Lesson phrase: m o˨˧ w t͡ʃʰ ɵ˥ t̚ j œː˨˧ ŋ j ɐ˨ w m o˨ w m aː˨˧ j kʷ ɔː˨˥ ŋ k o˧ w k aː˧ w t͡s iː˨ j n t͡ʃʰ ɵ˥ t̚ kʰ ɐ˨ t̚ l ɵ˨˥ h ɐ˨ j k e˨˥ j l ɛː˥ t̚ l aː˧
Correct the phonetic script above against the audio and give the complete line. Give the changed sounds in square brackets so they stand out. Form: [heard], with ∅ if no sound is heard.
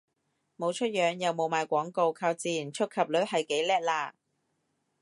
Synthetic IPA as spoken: m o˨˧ w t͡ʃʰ ɵ˥ t̚ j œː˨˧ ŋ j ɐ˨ w m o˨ w m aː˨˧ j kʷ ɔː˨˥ ŋ k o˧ w [kʰ] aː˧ w t͡s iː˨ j n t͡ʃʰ ɵ˥ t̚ kʰ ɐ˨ [p̚] l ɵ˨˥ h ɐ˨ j k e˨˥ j l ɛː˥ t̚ l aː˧

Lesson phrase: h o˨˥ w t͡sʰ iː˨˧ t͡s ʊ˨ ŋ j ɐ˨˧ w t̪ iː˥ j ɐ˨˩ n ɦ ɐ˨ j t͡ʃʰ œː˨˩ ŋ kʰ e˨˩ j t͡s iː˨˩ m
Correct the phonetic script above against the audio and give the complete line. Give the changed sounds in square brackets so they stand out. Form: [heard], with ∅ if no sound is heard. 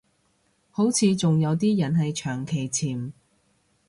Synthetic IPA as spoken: h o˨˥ w t͡sʰ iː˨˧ t͡s ʊ˨ ŋ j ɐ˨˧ w t̪ iː˥ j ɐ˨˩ n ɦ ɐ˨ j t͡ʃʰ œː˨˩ ŋ kʰ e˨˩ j [t͡sʰ] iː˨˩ m

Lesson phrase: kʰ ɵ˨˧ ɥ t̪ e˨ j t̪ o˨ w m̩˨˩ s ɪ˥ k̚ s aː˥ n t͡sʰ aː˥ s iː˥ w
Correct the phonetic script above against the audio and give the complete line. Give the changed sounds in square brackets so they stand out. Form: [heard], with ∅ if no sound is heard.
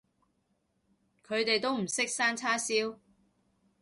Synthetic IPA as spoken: kʰ ɵ˨˧ ɥ t̪ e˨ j t̪ [o˥] w m̩˨˩ s ɪ˥ k̚ s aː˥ n t͡sʰ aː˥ s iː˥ w

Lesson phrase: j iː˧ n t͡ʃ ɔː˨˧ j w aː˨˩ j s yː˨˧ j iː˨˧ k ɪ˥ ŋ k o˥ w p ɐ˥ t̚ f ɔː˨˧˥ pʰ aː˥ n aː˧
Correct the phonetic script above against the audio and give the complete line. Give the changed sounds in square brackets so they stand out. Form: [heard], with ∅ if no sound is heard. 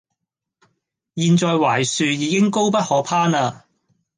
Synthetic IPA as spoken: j iː˧ n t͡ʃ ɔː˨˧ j w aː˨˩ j s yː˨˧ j iː˨˧ k ɪ˥ ŋ k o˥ w p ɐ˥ t̚ [h] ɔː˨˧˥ pʰ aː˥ n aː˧

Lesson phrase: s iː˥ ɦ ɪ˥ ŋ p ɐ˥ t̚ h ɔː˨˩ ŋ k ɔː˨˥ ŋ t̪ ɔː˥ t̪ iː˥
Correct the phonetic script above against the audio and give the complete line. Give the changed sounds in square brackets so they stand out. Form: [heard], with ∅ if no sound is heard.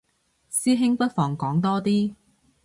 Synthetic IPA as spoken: s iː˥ ɦ ɪ˥ ŋ p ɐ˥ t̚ [f] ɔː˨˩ ŋ k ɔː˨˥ ŋ t̪ ɔː˥ t̪ iː˥

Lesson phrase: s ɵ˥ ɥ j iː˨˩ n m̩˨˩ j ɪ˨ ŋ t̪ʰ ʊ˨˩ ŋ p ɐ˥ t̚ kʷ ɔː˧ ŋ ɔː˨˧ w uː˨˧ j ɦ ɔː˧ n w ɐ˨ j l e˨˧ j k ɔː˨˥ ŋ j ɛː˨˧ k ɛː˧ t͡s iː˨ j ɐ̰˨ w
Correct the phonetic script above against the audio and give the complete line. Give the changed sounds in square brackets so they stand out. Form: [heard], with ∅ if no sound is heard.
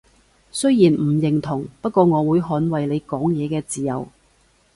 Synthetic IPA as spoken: s ɵ˥ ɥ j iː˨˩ n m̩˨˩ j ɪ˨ ŋ t̪ʰ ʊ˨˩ ŋ p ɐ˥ t̚ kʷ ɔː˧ ŋ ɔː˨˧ w uː˨˧ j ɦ [ɔː˨˥] n w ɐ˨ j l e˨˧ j k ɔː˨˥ ŋ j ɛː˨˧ k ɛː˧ t͡s iː˨ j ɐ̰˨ w

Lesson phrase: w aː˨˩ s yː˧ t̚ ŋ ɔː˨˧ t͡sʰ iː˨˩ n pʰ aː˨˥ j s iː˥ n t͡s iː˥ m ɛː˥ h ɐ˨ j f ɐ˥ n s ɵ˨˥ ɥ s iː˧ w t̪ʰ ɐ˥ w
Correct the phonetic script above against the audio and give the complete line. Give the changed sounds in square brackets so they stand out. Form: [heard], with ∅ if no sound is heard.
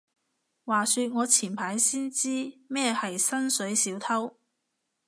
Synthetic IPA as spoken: w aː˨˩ s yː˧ t̚ ŋ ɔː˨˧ t͡sʰ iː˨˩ n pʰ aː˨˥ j s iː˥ n t͡s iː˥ m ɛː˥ h ɐ˨ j [s] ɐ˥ n s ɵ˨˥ ɥ s [iː˨˥] w t̪ʰ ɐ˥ w

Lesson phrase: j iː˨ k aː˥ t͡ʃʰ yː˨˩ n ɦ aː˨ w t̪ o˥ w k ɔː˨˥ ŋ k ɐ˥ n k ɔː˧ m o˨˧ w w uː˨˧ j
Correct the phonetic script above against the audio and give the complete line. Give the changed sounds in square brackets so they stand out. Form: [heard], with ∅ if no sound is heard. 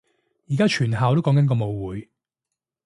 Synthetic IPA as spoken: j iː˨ k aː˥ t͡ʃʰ yː˨˩ n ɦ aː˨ w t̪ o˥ w k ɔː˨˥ ŋ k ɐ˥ n k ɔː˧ m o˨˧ w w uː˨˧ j

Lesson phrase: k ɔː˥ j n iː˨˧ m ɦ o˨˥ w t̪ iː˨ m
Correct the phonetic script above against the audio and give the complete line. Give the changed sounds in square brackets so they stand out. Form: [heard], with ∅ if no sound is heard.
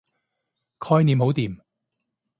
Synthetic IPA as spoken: [kʰ] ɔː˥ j n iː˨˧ m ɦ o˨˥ w t̪ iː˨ m

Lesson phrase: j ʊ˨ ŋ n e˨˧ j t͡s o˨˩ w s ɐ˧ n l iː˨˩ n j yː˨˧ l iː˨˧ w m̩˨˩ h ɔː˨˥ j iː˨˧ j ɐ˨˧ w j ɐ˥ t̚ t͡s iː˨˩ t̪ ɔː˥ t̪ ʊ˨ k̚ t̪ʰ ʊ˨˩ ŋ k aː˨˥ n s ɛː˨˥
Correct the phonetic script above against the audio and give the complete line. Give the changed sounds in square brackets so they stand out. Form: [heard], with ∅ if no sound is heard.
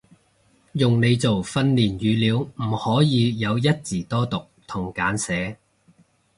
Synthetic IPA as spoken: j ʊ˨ ŋ n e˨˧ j t͡s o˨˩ w [f] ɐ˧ n l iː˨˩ n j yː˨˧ l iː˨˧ w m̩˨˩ h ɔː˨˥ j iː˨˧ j ɐ˨˧ w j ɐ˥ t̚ t͡s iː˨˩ t̪ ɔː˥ t̪ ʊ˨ k̚ t̪ʰ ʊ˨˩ ŋ k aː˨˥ n s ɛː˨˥

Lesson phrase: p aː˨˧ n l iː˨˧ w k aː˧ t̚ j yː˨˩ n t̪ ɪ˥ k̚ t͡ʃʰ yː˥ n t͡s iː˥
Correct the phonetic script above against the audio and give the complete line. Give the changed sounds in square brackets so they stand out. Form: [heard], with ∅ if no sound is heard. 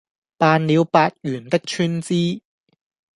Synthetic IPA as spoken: p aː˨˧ n l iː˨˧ w [p] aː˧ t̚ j yː˨˩ n t̪ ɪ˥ k̚ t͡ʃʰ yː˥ n t͡s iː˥

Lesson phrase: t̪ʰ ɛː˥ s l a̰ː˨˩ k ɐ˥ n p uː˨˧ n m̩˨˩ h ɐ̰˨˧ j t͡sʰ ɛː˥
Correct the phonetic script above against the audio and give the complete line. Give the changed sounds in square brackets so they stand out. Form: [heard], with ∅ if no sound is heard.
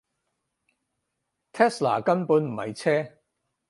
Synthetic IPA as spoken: t̪ʰ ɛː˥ s l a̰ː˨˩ k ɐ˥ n p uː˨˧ n m̩˨˩ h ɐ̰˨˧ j t͡sʰ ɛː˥

